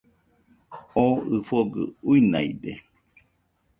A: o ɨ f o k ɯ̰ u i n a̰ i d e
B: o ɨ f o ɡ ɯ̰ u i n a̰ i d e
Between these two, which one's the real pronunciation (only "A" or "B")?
B